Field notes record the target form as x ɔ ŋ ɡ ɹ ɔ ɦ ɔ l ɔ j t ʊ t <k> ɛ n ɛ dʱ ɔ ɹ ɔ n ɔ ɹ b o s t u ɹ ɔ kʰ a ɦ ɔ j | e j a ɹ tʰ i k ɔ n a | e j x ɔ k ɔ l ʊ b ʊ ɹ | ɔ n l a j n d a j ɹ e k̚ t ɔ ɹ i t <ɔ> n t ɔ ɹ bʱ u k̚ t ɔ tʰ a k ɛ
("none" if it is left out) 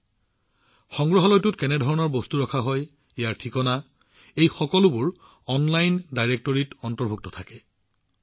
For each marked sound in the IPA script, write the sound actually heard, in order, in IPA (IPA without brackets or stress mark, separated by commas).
k, ɔ